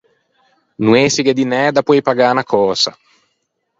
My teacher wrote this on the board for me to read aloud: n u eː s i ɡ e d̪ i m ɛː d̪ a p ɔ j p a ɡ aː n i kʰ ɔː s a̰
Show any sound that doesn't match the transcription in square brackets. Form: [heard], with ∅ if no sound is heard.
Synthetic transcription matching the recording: n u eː s i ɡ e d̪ i [n] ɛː d̪ a p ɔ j p a ɡ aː n [a] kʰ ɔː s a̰